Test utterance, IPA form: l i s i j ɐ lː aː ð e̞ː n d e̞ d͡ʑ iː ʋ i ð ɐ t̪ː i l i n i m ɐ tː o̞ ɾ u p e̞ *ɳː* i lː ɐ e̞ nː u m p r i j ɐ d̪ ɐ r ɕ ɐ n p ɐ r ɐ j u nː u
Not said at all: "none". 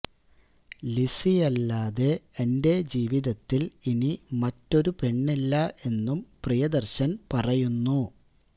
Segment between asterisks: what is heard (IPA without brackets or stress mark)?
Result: ɳː